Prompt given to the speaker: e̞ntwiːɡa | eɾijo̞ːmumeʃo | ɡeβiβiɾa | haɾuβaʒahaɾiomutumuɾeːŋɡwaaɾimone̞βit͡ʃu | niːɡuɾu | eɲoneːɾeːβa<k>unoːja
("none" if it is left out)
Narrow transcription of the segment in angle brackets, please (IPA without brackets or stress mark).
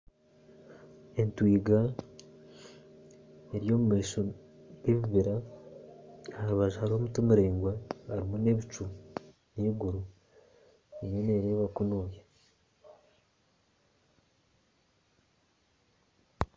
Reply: k